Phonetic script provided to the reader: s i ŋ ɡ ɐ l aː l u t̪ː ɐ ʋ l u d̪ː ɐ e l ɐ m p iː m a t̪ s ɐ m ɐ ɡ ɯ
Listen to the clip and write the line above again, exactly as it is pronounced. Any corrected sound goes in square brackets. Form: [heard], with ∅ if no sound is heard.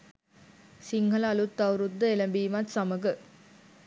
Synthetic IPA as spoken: s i ŋ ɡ ɐ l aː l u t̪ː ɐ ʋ [ɾ] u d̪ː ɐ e l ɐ m [b] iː m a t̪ s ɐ m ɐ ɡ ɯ